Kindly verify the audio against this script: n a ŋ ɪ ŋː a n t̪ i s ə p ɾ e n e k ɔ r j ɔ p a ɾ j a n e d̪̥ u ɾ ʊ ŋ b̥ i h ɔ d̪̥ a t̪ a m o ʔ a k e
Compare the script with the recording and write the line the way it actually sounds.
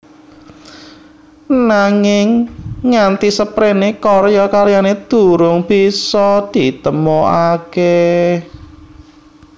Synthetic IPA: n a ŋ ɪ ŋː a n t̪ i s ə p ɾ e n e k ɔ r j ɔ k a ɾ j a n e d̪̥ u ɾ ʊ ŋ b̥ i s ɔ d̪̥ i t̪ ə m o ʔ a k e